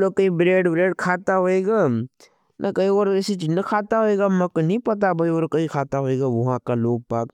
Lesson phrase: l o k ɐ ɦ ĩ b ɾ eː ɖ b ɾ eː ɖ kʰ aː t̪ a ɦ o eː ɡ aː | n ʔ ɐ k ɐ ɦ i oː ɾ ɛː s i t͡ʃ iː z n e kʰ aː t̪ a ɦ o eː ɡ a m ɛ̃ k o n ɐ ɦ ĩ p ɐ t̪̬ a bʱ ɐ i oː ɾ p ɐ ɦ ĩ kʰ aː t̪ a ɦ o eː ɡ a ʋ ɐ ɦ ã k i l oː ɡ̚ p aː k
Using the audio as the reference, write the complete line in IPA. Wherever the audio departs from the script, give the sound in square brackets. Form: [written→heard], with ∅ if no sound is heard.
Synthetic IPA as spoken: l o k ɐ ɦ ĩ b ɾ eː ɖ b ɾ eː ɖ kʰ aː t̪ a ɦ o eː ɡ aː | n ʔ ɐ k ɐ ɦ i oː ɾ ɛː s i t͡ʃ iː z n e kʰ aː t̪ a ɦ o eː ɡ a m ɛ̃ k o n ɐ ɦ ĩ p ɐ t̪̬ a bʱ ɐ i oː ɾ [p→k] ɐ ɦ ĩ kʰ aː t̪ a ɦ o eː ɡ a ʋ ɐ ɦ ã k [i→a] l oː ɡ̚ p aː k

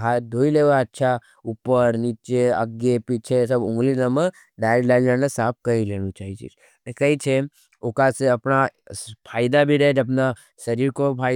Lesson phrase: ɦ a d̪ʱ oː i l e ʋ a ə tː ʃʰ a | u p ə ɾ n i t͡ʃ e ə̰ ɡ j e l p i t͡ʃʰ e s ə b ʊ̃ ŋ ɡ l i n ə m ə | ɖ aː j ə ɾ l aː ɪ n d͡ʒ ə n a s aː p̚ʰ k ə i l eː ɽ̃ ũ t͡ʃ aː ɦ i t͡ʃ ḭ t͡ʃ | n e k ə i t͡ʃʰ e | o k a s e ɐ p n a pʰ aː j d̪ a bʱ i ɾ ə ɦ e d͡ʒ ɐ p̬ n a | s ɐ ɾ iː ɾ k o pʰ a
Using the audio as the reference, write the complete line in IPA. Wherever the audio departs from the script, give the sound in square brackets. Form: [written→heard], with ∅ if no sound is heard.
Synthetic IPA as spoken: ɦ a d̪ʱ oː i l e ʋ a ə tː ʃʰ a | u p ə ɾ n i t͡ʃ e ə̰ ɡ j e [l→∅] p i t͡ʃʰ e s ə b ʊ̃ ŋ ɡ l i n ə m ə | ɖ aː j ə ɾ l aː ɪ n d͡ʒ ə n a s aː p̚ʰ k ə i l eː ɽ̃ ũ t͡ʃ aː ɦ i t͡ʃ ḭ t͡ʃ | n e k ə i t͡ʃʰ e | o k a s e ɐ p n a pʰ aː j d̪ a bʱ i ɾ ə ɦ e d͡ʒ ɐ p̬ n a | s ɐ ɾ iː ɾ k o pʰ a

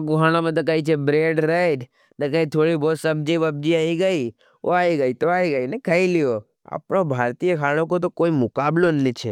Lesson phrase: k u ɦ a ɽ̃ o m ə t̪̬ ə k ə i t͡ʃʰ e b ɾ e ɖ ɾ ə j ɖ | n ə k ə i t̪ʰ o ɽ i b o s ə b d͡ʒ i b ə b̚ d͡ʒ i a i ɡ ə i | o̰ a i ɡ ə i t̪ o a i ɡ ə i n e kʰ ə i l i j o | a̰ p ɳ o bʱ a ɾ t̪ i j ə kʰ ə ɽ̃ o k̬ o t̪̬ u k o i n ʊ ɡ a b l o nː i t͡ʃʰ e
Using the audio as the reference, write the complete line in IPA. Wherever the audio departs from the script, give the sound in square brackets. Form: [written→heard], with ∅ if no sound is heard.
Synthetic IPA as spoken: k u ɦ a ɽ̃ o m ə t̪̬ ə k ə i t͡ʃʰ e b ɾ e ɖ ɾ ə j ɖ | n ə k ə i t̪ʰ o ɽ i b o s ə b d͡ʒ i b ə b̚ d͡ʒ i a i ɡ ə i | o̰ a i ɡ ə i t̪ o a i ɡ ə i n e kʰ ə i l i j o | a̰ p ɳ o bʱ a ɾ t̪ i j ə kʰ [ə→a] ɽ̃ o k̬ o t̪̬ [u→o] k o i [n→m] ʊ [ɡ→k] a b l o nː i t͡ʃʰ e

